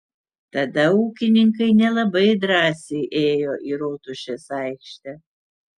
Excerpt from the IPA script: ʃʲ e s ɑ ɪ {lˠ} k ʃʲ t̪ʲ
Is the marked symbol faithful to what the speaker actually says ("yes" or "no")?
no